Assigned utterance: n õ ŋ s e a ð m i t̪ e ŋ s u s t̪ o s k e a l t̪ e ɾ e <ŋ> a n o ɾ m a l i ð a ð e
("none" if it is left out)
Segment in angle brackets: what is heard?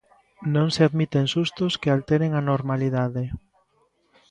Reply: ŋ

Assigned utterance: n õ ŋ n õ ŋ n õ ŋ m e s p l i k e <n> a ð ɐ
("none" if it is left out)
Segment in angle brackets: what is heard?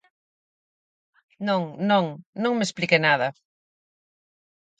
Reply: n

